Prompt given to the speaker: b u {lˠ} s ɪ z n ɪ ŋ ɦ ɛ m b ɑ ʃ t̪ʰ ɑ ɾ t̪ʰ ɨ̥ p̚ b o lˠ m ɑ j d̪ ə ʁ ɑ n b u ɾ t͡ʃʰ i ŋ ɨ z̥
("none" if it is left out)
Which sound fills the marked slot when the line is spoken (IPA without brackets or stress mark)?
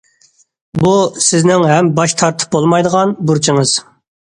none